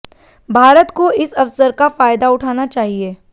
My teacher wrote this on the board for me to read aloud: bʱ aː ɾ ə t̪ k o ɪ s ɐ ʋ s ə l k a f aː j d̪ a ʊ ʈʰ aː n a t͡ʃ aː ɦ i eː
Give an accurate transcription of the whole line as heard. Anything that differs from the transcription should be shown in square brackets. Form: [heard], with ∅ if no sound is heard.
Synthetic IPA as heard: bʱ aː ɾ ə t̪ k o ɪ s ɐ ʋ s ə [ɾ] k a f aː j d̪ a ʊ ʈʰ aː n a t͡ʃ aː ɦ i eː